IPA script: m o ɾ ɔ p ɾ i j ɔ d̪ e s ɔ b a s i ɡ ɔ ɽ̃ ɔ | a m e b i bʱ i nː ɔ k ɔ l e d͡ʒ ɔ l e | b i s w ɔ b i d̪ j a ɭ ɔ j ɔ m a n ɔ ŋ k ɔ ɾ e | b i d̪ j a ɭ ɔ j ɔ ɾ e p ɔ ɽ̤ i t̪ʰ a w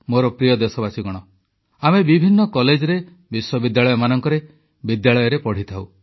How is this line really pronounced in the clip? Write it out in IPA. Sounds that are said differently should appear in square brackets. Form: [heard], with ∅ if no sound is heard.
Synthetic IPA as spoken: m o ɾ ɔ p ɾ i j ɔ d̪ e s ɔ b a s i ɡ ɔ ɽ̃ ɔ | a m e b i bʱ i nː ɔ k ɔ l e d͡ʒ ɔ [ɾ] e | b i s w ɔ b i d̪ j a ɭ ɔ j ɔ m a n ɔ ŋ k ɔ ɾ e | b i d̪ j a ɭ ɔ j ɔ ɾ e p ɔ ɽ̤ i t̪ʰ a w